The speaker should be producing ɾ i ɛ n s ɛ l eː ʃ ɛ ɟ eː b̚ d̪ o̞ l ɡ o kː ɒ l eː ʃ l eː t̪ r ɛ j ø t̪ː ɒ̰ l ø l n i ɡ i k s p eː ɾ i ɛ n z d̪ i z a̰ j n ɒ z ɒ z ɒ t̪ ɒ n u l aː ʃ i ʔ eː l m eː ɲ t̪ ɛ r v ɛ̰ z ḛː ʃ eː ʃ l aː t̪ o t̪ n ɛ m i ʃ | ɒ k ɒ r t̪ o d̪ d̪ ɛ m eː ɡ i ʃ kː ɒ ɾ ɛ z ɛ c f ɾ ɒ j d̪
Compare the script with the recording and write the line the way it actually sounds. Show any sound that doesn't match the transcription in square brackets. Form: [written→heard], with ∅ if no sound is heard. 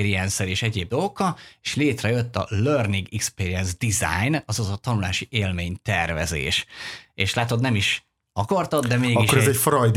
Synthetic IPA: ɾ i ɛ n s ɛ l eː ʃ ɛ ɟ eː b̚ d̪ o̞ l ɡ o kː ɒ l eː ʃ l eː t̪ r ɛ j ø t̪ː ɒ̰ l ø [l→r] n i ɡ i k s p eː ɾ i ɛ n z d̪ i z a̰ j n ɒ z ɒ z ɒ t̪ ɒ n u l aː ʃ i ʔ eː l m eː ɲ t̪ ɛ r v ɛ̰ z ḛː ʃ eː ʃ l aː t̪ o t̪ n ɛ m i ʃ | ɒ k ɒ r t̪ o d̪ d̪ ɛ m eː ɡ i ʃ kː [ɒ→o] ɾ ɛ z ɛ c f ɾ ɒ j d̪